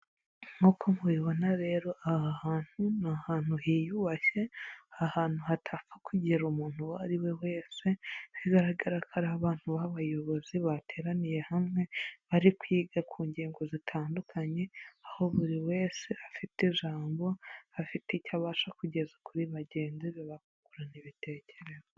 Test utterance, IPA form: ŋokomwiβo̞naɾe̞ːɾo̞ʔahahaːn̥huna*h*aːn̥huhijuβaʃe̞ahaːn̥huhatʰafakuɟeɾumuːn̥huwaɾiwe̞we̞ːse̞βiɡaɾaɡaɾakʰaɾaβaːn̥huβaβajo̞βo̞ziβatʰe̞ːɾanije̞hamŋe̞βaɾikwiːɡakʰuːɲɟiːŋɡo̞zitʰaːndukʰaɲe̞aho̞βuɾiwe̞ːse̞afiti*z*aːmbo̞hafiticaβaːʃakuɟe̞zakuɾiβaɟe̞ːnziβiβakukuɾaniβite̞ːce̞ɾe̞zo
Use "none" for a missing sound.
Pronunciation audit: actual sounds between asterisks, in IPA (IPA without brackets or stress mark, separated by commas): h, ʒ